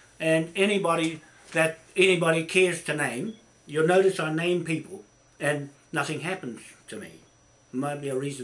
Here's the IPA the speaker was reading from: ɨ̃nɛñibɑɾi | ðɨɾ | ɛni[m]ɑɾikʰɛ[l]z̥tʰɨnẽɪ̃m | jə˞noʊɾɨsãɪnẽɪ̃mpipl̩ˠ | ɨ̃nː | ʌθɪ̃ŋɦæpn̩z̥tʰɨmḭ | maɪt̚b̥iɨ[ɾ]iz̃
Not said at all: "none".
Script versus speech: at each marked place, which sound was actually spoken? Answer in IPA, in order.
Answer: b, ɹ, ɹ

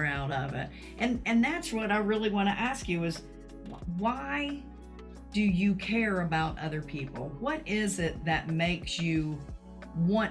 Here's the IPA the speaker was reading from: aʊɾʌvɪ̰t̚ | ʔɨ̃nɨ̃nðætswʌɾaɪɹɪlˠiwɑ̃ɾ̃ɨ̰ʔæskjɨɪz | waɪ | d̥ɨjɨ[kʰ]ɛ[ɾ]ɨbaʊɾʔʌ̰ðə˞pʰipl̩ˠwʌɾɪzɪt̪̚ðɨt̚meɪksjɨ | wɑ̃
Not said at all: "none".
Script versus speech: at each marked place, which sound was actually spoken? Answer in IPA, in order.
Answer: kʰ, ɹ

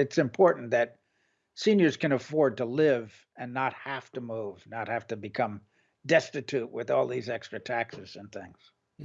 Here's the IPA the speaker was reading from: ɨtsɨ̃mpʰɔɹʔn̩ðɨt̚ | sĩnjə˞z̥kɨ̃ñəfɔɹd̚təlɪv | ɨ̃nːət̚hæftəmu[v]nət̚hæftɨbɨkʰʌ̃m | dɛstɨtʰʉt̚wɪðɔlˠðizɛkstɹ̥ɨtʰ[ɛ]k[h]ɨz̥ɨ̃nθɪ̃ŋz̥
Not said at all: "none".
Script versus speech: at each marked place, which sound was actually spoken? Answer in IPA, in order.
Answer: v, æ, s

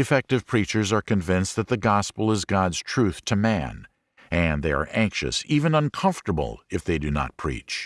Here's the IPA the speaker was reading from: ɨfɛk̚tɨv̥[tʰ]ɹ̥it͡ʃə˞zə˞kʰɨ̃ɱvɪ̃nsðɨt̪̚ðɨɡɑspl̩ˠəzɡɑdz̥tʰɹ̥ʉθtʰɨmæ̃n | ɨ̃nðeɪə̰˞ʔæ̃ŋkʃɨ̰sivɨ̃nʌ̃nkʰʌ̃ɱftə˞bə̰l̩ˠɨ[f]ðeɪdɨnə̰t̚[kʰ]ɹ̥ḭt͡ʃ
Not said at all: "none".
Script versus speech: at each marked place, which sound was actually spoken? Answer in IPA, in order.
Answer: pʰ, f, pʰ

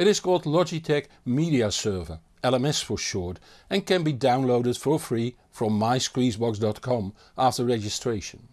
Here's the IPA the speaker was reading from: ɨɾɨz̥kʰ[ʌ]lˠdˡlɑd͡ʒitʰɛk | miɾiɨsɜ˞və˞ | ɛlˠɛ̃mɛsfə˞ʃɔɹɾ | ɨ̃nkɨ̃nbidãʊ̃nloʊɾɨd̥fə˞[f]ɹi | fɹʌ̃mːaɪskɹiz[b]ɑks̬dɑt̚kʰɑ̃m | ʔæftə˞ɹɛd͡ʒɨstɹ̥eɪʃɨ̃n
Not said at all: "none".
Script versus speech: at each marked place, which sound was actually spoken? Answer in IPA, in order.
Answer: ɔ, f, b

